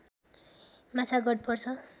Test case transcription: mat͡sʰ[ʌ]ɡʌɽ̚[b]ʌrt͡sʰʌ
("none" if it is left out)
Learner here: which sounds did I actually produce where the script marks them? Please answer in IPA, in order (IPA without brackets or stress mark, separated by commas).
a, p